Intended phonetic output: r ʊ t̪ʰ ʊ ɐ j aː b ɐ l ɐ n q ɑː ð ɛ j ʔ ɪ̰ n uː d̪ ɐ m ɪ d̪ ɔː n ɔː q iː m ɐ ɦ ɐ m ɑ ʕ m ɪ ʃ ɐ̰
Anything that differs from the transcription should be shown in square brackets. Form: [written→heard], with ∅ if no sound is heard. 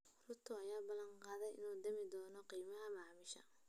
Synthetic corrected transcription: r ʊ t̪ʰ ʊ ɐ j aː b ɐ l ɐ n q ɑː ð ɛ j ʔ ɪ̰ n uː d̪ ɐ m ɪ d̪ ɔː n [ɔː→ɔ] q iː m ɐ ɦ ɐ m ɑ ʕ m ɪ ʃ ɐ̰